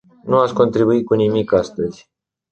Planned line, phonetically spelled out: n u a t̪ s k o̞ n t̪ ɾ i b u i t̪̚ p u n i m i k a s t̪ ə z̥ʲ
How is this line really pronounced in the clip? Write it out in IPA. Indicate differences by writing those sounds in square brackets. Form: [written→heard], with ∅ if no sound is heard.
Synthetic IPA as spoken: n u a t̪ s k o̞ n t̪ ɾ i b u i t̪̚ [p→k] u n i m i k a s t̪ ə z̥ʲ